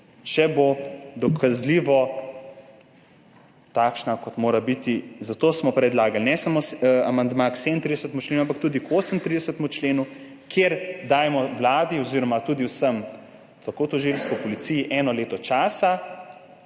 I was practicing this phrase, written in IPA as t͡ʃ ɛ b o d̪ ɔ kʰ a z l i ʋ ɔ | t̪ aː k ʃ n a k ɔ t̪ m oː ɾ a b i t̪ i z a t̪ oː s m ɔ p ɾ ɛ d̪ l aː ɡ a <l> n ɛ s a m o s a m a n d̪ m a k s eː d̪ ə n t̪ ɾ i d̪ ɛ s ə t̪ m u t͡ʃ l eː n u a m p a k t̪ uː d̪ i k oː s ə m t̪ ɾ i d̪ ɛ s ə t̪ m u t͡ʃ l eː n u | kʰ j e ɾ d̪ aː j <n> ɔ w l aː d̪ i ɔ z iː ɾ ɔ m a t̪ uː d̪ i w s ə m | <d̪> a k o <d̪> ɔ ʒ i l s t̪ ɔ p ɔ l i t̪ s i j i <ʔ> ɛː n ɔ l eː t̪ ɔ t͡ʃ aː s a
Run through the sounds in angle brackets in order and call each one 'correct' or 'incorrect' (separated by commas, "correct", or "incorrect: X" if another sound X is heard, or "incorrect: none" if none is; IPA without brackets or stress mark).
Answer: correct, incorrect: m, incorrect: t̪, incorrect: t̪, correct